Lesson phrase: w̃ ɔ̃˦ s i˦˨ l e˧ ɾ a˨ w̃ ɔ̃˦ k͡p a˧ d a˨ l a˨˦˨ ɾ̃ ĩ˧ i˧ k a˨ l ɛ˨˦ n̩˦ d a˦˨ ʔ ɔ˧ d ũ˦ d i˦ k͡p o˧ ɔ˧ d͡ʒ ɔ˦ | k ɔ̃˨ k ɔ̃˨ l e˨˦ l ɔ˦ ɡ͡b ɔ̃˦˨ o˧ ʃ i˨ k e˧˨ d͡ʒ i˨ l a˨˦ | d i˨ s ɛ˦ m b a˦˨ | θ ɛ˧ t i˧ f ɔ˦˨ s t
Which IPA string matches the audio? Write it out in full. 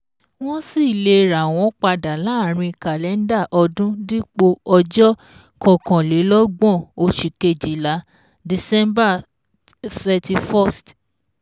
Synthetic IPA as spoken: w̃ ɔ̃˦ s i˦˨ l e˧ ɾ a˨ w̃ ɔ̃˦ k͡p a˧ d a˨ l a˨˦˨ ɾ̃ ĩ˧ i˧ k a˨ l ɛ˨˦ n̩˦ d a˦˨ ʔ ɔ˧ d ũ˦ d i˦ k͡p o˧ ɔ˧ d͡ʒ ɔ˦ | k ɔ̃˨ k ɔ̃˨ l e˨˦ l ɔ˦ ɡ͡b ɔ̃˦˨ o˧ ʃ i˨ k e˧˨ d͡ʒ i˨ l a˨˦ | d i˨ s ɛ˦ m b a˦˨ | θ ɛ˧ t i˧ f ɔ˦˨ s t